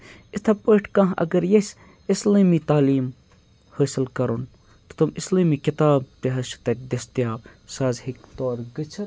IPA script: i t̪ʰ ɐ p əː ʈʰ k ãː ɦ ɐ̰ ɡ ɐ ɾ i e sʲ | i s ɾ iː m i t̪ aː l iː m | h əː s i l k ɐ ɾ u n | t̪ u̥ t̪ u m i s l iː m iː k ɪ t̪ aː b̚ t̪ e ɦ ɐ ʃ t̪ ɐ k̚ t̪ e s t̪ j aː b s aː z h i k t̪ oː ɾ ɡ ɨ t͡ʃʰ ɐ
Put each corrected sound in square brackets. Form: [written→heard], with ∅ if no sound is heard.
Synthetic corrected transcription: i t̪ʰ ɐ p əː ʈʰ k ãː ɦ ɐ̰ ɡ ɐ ɾ [i→j] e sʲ | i s [ɾ→l] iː m i t̪ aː l iː m | h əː s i l k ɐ ɾ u n | t̪ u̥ t̪ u m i s l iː m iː k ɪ t̪ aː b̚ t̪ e ɦ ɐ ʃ t̪ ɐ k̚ [t̪→d̪] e s t̪ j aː b s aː z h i k t̪ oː ɾ ɡ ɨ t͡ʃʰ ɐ